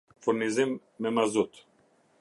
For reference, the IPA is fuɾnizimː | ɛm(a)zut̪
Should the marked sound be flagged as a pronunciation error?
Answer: no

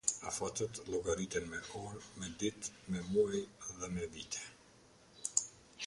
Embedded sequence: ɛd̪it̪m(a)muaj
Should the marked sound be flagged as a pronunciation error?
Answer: yes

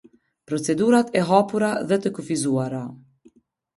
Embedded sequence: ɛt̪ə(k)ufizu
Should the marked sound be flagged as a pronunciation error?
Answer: no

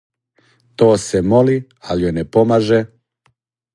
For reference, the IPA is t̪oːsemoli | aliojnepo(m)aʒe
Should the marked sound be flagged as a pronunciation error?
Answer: no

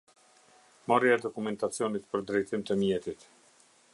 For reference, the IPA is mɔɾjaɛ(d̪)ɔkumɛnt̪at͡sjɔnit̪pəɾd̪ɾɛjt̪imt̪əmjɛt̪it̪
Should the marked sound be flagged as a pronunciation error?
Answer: no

